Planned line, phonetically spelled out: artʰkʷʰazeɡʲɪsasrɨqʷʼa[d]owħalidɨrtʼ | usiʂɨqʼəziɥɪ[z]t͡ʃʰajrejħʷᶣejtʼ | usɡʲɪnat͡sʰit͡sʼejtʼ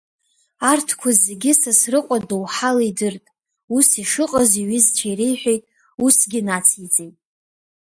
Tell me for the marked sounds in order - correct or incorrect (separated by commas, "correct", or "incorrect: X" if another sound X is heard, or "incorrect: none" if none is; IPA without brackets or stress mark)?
correct, correct